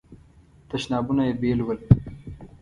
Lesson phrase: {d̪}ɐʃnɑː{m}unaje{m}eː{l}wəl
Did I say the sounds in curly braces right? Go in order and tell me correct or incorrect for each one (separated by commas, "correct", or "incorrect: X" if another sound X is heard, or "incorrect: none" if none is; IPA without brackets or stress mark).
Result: incorrect: t̪, incorrect: b, incorrect: b, correct